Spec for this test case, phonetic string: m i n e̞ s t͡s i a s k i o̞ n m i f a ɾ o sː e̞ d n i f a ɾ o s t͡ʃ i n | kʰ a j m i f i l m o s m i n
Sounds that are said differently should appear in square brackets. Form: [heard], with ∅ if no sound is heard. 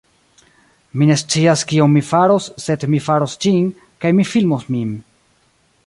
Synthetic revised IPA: m i n e̞ s t͡s i a s k i o̞ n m i f a ɾ o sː e̞ d [m] i f a ɾ o s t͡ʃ i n | [k] a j m i f i l m o s m i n